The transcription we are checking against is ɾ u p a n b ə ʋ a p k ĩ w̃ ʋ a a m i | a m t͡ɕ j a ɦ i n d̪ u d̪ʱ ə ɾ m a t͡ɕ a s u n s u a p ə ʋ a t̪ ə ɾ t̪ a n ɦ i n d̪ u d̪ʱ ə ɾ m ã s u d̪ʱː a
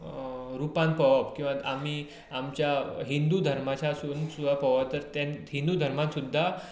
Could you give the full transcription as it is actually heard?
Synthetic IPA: ɾ u p a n p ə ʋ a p k ĩ w̃ ʋ a a m i | a m t͡ɕ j a ɦ i n d̪ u d̪ʱ ə ɾ m a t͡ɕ a s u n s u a p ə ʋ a t̪ ə ɾ t̪ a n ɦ i n d̪ u d̪ʱ ə ɾ m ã s u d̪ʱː a